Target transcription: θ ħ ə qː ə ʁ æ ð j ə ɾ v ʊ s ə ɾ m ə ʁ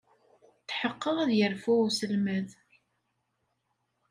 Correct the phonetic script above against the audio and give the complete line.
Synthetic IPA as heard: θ ħ ə qː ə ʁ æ ð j ə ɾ f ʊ s ə l m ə ð